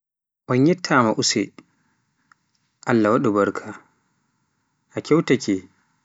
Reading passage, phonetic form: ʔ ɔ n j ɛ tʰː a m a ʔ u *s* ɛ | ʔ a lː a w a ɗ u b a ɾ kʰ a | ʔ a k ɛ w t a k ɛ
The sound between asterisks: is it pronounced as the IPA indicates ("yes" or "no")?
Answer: yes